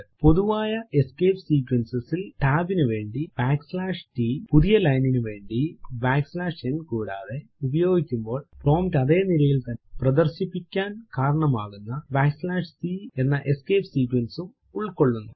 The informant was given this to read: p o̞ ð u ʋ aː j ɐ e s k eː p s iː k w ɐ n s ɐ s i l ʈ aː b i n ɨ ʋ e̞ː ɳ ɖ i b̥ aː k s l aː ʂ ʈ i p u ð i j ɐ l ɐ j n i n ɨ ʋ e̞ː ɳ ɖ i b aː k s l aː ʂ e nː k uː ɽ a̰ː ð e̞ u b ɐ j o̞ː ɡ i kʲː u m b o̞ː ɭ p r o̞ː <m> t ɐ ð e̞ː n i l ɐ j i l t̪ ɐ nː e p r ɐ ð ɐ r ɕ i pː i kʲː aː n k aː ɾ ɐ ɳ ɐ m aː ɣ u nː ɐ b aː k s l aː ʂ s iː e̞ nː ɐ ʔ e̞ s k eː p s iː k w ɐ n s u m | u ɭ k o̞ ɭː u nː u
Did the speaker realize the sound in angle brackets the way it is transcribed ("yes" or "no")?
yes